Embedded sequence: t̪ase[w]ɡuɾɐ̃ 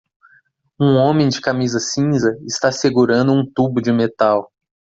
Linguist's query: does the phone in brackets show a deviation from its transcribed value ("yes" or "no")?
yes